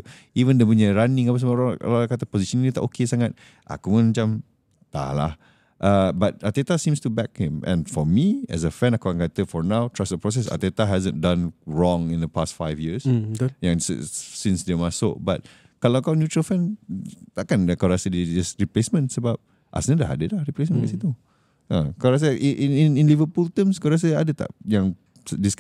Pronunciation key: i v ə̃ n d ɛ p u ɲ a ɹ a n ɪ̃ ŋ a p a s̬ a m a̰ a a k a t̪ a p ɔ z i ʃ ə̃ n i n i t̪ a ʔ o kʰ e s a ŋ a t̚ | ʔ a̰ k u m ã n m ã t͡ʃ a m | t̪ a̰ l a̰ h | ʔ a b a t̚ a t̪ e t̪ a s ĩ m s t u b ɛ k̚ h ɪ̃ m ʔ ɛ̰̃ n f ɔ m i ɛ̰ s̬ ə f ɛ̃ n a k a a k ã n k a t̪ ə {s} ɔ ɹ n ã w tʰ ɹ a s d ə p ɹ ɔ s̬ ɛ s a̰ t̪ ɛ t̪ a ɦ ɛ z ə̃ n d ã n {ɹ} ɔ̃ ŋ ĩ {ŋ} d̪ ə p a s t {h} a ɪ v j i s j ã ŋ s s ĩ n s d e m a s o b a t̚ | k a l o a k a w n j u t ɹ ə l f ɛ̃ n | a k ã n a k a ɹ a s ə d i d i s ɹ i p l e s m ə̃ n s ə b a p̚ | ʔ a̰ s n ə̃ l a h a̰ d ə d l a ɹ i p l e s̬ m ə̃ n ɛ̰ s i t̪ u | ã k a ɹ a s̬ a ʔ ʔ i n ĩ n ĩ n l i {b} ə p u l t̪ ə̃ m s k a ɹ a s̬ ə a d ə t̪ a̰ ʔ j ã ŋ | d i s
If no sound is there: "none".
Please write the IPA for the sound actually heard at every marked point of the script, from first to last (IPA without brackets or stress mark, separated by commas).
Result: f, ɹ, n, f, v